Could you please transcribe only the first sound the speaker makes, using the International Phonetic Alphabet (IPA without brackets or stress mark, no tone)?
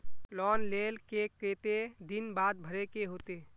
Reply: l